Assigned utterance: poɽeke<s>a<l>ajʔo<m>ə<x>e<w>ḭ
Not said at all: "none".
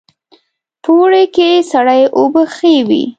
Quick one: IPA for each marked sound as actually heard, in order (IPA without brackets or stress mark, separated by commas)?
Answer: s, ɽ, b, x, w